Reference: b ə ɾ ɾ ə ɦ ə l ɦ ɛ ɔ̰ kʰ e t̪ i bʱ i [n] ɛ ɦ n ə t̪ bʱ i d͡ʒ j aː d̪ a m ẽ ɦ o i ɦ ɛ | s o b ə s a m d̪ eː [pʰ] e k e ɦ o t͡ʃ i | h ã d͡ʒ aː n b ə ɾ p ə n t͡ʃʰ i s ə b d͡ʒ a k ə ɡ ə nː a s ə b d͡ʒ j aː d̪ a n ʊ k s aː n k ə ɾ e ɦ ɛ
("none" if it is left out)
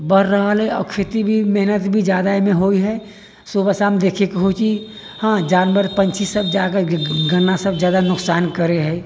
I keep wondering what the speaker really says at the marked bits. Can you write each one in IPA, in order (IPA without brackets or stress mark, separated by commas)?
m, kʰ